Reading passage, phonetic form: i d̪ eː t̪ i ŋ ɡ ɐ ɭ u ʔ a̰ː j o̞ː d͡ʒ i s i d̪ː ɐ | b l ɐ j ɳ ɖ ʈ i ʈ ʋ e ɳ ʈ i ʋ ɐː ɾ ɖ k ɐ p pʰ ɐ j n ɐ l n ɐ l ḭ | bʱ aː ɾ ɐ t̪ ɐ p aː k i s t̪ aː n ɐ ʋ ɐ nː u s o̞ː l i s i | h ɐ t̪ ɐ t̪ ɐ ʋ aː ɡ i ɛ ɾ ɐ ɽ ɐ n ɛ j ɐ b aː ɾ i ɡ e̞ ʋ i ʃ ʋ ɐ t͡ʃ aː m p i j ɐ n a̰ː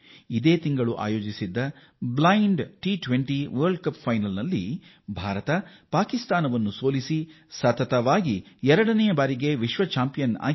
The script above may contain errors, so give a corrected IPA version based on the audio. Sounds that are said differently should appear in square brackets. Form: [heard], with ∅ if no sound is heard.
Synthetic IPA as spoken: i d̪ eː t̪ i ŋ ɡ ɐ ɭ u ʔ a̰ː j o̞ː d͡ʒ i s i d̪ː ɐ | b l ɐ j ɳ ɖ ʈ i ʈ ʋ e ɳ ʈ i ʋ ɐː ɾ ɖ k ɐ p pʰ ɐ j n ɐ l n ɐ [lː] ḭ | bʱ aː ɾ ɐ t̪ ɐ p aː k i s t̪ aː n ɐ ʋ ɐ nː u s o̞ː l i s i | [s] ɐ t̪ ɐ t̪ ɐ ʋ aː ɡ i ɛ ɾ ɐ ɽ ɐ n ɛ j ɐ b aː ɾ i ɡ e̞ ʋ i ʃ ʋ ɐ t͡ʃ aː m p i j ɐ n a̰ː

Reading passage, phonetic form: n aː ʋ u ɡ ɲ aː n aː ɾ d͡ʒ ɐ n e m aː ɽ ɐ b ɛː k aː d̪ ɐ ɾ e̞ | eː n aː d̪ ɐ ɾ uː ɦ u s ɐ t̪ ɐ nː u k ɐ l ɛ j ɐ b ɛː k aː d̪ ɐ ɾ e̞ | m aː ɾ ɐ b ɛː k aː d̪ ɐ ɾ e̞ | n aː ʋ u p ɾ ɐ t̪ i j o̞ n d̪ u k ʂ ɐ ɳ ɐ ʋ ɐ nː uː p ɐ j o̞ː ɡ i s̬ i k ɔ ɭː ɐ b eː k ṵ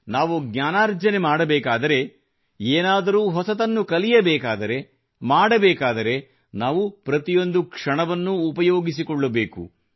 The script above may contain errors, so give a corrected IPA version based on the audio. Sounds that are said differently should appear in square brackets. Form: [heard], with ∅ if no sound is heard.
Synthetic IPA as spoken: n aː ʋ u ɡ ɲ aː n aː ɾ d͡ʒ ɐ n e m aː ɽ ɐ b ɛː k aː d̪ ɐ ɾ e̞ | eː n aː d̪ ɐ ɾ uː ɦ [ɔ] s ɐ t̪ ɐ nː u k ɐ l [i] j ɐ b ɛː k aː d̪ ɐ ɾ e̞ | m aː [ɽ] ɐ b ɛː k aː d̪ ɐ ɾ e̞ | n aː ʋ u p ɾ ɐ t̪ i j o̞ n d̪ u k ʂ ɐ ɳ ɐ ʋ ɐ nː uː p ɐ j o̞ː ɡ i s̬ i k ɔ ɭː ɐ b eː k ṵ

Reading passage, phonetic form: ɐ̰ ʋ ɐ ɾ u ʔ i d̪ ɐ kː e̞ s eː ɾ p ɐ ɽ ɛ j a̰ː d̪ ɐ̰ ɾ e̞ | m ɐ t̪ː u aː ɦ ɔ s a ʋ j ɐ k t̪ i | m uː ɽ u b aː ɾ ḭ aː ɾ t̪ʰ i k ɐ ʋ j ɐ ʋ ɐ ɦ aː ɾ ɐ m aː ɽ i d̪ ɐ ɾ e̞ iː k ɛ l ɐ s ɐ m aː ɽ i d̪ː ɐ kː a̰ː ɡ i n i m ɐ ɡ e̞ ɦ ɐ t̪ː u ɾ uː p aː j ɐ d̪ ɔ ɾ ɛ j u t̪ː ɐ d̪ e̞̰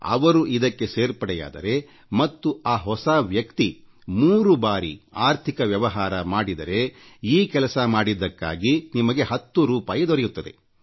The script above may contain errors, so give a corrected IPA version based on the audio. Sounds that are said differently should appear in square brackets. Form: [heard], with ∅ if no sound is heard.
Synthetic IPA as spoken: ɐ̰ ʋ ɐ ɾ u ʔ i d̪ ɐ kː e̞ s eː ɾ p ɐ ɽ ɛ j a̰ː d̪ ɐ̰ ɾ e̞ | m ɐ t̪ː u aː ɦ ɔ s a ʋ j ɐ k t̪ i | m uː [ɾ] u b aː ɾ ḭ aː ɾ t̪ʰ i k ɐ ʋ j ɐ ʋ ɐ ɦ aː ɾ ɐ m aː ɽ i d̪ ɐ ɾ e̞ iː k ɛ l ɐ s ɐ m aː ɽ i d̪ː ɐ kː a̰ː ɡ i n i m ɐ ɡ e̞ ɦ ɐ t̪ː u ɾ uː p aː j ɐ d̪ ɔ ɾ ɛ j u t̪ː ɐ d̪ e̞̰

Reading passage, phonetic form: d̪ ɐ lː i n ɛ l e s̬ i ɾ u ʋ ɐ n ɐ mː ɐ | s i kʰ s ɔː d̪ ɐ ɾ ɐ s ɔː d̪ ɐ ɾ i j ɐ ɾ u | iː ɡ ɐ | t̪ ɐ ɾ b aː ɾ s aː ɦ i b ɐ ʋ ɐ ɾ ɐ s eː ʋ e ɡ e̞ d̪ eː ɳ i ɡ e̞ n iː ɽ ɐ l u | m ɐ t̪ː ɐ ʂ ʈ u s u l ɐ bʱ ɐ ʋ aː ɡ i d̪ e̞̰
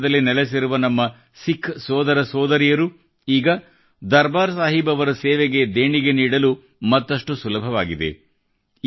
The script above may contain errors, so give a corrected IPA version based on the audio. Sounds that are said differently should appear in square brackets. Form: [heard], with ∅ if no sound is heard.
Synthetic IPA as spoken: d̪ ɐ lː i n ɛ l e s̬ i ɾ u ʋ ɐ n ɐ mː ɐ | s i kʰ s ɔː d̪ ɐ ɾ ɐ s ɔː d̪ ɐ ɾ i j ɐ ɾ u | iː ɡ ɐ | [d̪] ɐ ɾ b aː ɾ s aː ɦ i b ɐ ʋ ɐ ɾ ɐ s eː ʋ e ɡ e̞ d̪ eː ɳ i ɡ e̞ n iː ɽ ɐ l u | m ɐ t̪ː ɐ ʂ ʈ u s u l ɐ bʱ ɐ ʋ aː ɡ i d̪ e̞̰

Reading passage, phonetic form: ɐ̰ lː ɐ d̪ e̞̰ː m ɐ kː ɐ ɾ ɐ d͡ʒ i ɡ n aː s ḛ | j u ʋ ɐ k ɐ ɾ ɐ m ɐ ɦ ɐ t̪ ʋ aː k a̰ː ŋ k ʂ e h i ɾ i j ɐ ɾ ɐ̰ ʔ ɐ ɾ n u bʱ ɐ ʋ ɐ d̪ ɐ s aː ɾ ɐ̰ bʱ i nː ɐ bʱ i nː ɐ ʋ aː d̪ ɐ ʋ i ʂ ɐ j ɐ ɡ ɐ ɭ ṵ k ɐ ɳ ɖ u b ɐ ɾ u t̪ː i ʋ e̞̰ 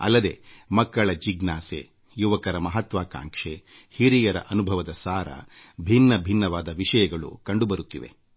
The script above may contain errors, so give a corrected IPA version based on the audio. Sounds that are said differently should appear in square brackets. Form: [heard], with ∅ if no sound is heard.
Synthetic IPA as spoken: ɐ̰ lː ɐ d̪ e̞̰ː m ɐ kː ɐ [ɭ] ɐ d͡ʒ i ɡ n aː s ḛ | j u ʋ ɐ k ɐ ɾ ɐ m ɐ ɦ ɐ t̪ ʋ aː k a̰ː ŋ k ʂ e h i ɾ i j ɐ ɾ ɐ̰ ʔ ɐ [∅] n u bʱ ɐ ʋ ɐ d̪ ɐ s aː ɾ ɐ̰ bʱ i nː ɐ bʱ i nː ɐ ʋ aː d̪ ɐ ʋ i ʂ ɐ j ɐ ɡ ɐ ɭ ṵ k ɐ ɳ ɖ u b ɐ ɾ u t̪ː i ʋ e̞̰

